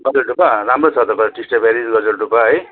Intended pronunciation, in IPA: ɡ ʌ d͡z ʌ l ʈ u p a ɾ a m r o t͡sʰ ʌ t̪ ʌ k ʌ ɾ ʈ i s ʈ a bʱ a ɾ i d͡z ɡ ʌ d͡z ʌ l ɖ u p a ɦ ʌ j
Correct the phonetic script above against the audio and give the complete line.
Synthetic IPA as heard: ɡ ʌ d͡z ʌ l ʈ u p a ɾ a m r o t͡sʰ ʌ t̪ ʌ k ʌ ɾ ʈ i s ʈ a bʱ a ɾ i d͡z ɡ ʌ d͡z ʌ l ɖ u p a ɦ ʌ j